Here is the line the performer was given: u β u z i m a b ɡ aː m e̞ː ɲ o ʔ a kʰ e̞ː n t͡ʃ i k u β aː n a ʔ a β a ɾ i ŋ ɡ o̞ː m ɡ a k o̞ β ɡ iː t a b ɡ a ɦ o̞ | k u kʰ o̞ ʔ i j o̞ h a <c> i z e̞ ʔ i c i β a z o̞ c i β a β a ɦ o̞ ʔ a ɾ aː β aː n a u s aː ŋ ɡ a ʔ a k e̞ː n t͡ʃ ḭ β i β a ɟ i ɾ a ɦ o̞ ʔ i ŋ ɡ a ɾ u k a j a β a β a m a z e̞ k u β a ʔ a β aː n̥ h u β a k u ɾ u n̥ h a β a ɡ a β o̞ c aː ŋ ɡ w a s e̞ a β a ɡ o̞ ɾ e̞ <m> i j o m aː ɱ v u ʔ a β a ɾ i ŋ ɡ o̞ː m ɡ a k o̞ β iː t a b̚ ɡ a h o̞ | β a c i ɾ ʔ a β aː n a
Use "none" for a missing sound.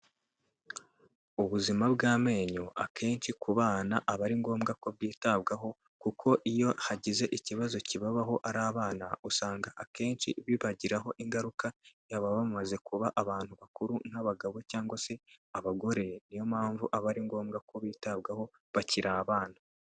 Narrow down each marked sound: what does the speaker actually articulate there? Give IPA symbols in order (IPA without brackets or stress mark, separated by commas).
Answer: ɟ, n